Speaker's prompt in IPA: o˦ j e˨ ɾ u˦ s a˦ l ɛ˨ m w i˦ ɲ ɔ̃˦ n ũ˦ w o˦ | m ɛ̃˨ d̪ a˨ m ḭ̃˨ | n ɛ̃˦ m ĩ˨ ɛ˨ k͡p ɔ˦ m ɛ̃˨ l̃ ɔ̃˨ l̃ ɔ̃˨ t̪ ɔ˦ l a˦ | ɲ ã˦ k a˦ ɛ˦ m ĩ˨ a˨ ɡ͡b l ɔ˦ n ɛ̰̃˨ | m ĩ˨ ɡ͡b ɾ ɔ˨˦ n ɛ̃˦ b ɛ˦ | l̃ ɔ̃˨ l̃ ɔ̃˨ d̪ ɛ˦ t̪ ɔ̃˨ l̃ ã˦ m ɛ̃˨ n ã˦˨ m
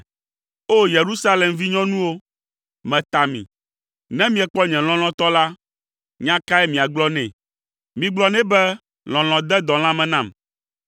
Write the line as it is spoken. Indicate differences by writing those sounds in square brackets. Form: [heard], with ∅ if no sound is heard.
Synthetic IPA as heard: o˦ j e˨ ɾ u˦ s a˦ l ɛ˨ m [v] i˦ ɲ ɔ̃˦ n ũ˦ w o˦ | m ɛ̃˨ [t̪] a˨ m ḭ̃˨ | n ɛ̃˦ m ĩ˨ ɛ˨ k͡p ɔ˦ [ɲ] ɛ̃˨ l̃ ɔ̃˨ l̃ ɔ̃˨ t̪ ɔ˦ l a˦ | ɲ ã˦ k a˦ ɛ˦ m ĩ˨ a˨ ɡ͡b l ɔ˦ n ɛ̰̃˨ | m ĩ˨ ɡ͡b [l] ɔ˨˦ n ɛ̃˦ b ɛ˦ | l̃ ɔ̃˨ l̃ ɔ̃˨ d̪ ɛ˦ [d̪] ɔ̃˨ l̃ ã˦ m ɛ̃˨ n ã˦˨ m